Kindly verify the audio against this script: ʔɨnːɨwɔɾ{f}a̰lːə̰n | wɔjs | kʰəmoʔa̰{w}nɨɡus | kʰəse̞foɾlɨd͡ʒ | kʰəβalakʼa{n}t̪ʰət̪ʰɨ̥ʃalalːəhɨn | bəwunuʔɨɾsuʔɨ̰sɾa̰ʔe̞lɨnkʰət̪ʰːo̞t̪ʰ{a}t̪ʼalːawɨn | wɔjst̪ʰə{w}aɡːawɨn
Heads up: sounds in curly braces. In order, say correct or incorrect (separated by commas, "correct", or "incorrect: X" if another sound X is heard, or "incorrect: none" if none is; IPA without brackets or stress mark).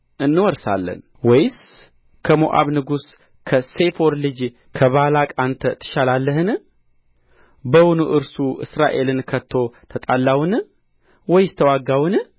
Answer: incorrect: s, incorrect: β, correct, incorrect: ə, correct